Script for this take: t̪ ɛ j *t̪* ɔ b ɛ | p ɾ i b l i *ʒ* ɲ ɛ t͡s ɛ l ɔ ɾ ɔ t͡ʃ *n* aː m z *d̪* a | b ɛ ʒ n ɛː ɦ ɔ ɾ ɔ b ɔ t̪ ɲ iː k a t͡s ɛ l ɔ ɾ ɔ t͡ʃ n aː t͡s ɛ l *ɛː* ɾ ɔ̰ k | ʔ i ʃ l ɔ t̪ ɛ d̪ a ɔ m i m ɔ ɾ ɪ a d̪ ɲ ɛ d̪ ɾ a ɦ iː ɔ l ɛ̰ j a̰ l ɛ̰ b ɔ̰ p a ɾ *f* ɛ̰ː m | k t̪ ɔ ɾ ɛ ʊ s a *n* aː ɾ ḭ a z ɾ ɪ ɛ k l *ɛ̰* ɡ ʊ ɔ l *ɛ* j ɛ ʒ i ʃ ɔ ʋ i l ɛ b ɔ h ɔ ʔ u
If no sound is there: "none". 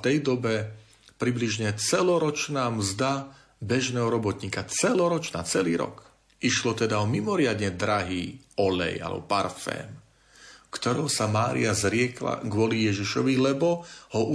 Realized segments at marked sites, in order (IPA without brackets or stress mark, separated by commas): d̪, ʒ, n, d̪, iː, f, m, a̰, i